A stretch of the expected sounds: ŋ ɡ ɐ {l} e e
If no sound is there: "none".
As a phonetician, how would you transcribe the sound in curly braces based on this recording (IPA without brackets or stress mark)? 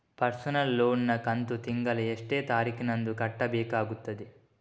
l